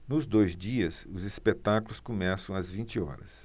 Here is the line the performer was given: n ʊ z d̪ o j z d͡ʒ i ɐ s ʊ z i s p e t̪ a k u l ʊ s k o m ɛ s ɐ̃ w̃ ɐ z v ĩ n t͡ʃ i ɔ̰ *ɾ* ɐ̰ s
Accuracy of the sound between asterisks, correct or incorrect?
correct